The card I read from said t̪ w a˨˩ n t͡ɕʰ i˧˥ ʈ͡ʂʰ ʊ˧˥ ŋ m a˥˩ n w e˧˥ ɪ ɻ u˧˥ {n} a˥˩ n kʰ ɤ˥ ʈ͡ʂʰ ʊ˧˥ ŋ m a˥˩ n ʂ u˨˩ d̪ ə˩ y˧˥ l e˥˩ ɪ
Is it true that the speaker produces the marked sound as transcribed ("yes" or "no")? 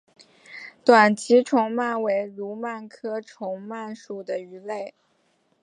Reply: no